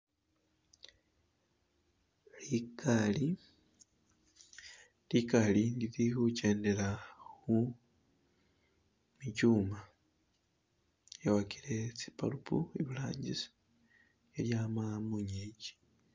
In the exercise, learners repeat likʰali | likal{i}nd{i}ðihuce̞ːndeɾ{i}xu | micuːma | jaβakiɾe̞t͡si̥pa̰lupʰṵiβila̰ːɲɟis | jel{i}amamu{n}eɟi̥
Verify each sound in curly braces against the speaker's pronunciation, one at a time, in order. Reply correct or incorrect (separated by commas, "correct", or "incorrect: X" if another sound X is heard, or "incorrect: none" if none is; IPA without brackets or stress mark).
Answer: correct, correct, incorrect: a, incorrect: j, incorrect: ɲ